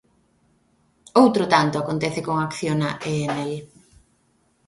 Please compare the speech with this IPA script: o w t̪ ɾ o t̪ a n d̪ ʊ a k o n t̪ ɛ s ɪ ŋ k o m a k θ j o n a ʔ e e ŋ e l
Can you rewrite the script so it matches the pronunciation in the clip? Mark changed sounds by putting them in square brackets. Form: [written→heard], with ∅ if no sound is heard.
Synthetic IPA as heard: o w t̪ ɾ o t̪ a n [d̪→t̪] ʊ a k o n t̪ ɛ [s→θ] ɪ [ŋ→∅] k o [m→ŋ] a k θ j o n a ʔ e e [ŋ→n] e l